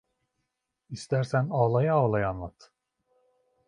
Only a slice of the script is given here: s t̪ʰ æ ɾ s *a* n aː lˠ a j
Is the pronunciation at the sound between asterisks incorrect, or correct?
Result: incorrect